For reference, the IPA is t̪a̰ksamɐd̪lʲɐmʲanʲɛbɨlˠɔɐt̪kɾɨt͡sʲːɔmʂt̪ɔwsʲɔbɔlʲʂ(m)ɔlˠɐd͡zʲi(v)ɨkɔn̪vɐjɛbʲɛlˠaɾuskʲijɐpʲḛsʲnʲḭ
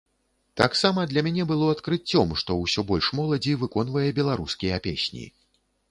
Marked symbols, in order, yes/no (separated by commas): yes, yes